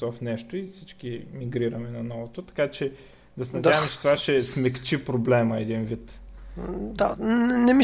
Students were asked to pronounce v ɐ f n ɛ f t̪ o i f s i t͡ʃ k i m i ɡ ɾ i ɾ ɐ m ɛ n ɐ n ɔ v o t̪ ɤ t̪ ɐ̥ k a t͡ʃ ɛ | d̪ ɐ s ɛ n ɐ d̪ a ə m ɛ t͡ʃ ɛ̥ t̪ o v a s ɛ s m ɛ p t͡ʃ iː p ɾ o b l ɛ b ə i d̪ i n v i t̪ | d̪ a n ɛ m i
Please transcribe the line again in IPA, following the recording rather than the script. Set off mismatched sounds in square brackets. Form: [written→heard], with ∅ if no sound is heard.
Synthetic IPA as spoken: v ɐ f n ɛ [f→ʃ] t̪ o i f s i t͡ʃ k i m i ɡ ɾ i ɾ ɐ m ɛ n ɐ n ɔ v o t̪ [ɤ→o] t̪ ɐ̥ k a t͡ʃ ɛ | d̪ ɐ s ɛ n ɐ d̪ a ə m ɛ t͡ʃ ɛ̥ t̪ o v a [s→ʃ] ɛ s m ɛ [p→k] t͡ʃ [iː→i] p ɾ o b l ɛ [b→m] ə [i→ɛ] d̪ i n v i t̪ | d̪ a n ɛ m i